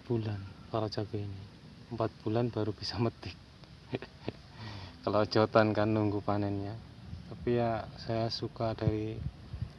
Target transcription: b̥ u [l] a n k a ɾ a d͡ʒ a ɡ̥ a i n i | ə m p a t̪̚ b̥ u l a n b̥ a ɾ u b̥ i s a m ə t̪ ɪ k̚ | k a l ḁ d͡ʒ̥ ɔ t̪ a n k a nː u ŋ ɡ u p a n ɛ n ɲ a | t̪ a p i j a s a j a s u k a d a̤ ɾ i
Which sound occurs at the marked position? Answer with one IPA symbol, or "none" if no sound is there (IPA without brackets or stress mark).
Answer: l